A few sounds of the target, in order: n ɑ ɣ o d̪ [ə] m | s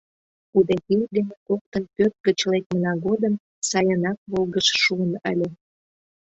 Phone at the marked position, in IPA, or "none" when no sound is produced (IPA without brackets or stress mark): ə